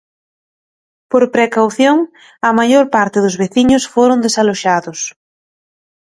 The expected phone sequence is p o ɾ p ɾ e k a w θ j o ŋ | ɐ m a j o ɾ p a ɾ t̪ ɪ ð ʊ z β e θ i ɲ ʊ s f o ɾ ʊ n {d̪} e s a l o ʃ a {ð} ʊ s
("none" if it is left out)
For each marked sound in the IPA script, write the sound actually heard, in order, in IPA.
d̪, ð

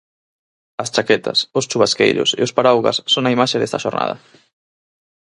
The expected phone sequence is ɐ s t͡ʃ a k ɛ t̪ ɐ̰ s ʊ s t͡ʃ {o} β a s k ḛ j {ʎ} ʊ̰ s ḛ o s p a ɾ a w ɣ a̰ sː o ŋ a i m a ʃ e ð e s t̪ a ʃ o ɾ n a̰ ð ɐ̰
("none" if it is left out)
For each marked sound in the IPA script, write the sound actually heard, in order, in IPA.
u, ʎ

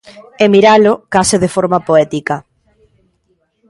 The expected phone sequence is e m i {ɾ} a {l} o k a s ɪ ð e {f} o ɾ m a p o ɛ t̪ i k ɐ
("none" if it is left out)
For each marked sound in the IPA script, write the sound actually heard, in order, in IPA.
ɾ, l, f

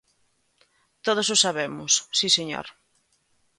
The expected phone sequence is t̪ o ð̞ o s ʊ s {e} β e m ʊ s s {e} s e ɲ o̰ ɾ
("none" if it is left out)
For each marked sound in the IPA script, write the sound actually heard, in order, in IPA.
a, i

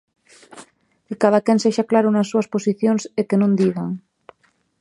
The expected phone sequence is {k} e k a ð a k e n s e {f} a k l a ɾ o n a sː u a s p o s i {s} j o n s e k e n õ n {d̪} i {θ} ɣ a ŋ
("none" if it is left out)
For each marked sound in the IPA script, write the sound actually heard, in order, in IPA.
k, ʃ, θ, d̪, none

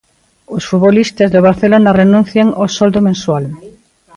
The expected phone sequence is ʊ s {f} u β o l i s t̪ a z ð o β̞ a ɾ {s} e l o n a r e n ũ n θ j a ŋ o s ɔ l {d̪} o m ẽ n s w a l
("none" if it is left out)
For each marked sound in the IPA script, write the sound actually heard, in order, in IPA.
f, θ, d̪

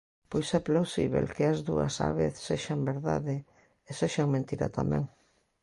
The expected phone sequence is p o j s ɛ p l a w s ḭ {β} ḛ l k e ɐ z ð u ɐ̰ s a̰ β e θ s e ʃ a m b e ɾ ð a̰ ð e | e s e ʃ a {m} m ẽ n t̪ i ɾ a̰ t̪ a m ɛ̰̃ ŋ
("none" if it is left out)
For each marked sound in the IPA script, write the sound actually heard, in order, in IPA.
β, ŋ

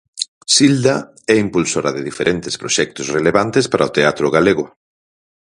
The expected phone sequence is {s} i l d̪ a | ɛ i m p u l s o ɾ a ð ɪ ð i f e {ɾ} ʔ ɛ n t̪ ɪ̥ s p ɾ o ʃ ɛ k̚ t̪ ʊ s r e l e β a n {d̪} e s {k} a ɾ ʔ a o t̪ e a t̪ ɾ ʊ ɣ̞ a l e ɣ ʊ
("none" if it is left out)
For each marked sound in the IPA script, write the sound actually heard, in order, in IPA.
s, ɾ, t̪, p

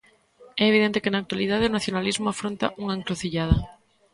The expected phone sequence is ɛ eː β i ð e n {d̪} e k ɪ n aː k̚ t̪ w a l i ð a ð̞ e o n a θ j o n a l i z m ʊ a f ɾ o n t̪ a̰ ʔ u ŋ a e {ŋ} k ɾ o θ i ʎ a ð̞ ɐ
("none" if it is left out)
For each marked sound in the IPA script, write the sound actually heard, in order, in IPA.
t̪, ŋ

